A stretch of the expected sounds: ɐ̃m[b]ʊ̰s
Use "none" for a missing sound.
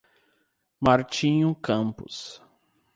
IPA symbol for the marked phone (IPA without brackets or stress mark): p